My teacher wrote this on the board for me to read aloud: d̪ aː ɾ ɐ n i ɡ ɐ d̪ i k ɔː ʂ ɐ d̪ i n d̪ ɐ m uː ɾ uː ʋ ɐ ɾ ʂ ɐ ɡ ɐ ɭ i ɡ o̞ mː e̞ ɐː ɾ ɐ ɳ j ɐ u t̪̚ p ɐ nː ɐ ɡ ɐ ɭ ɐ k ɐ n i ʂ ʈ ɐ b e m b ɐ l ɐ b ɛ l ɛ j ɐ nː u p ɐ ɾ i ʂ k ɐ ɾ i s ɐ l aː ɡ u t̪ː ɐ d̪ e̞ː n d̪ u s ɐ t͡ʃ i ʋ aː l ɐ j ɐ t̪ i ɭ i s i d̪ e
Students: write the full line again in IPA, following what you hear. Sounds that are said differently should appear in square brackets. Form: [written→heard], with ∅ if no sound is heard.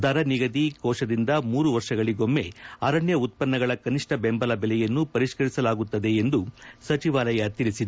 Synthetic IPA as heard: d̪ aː ɾ ɐ n i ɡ ɐ d̪ i k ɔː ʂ ɐ d̪ i n d̪ ɐ m uː ɾ [uː→u] ʋ ɐ ɾ ʂ ɐ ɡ ɐ ɭ i ɡ o̞ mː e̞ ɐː ɾ ɐ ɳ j ɐ u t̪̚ p ɐ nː ɐ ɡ ɐ ɭ ɐ k ɐ n i ʂ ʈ ɐ b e m b ɐ l ɐ b ɛ l ɛ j ɐ nː u p ɐ ɾ i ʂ k ɐ ɾ i s ɐ l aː ɡ u t̪ː ɐ d̪ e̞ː n d̪ u s ɐ t͡ʃ i ʋ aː l ɐ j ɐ t̪ i ɭ i s i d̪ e

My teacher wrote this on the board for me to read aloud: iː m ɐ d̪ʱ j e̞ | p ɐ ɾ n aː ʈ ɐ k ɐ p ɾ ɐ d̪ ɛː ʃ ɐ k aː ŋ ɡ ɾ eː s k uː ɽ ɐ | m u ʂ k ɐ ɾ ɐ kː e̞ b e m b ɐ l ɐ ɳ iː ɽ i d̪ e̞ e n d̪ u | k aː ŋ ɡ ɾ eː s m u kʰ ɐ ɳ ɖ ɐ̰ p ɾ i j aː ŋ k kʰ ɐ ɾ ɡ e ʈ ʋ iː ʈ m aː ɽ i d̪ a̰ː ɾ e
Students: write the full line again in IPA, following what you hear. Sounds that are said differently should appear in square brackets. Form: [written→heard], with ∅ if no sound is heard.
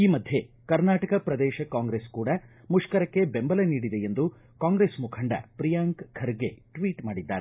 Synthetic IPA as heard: iː m ɐ d̪ʱ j e̞ | [p→k] ɐ ɾ n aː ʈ ɐ k ɐ p ɾ ɐ d̪ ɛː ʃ ɐ k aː ŋ ɡ ɾ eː s k uː ɽ ɐ | m u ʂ k ɐ ɾ ɐ kː e̞ b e m b ɐ l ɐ [ɳ→n] iː ɽ i d̪ e̞ e n d̪ u | k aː ŋ ɡ ɾ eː s m u kʰ ɐ ɳ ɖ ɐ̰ p ɾ i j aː ŋ k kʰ ɐ ɾ ɡ e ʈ ʋ iː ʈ m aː ɽ i [d̪→d̪ː] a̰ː ɾ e

